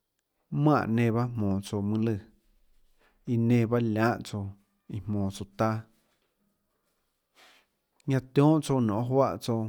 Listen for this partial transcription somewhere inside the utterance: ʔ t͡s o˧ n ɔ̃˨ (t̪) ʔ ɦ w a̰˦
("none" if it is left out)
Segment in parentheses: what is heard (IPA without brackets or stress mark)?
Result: none